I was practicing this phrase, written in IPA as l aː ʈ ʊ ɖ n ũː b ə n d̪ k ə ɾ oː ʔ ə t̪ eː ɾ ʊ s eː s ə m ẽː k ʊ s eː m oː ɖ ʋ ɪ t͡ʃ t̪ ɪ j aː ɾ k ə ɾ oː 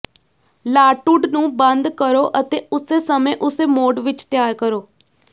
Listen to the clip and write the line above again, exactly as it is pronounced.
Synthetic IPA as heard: l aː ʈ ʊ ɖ n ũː b ə n d̪ k ə ɾ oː ʔ ə t̪ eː ʊ s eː s ə m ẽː ʔ ʊ s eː m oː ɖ ʋ ɪ t͡ʃ t̪ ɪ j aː ɾ k ə ɾ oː